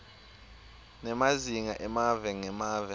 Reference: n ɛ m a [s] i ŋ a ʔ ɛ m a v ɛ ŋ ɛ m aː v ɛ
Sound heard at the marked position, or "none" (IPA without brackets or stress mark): z